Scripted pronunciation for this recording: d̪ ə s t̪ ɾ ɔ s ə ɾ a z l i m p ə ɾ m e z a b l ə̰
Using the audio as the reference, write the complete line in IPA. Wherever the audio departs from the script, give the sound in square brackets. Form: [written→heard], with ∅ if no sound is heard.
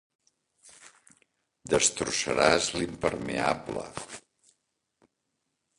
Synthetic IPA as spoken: d̪ ə s t̪ ɾ [ɔ→u] s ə ɾ a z l i m p ə ɾ m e [z→∅] a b l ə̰